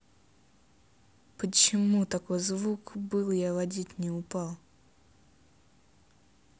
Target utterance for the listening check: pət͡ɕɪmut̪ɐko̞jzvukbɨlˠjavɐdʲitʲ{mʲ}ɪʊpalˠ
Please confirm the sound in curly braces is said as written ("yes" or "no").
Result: no